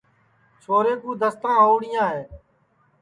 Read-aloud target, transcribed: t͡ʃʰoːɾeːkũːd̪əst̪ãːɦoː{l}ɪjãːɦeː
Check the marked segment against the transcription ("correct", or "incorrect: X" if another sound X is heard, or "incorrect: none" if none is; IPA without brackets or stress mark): incorrect: ɽ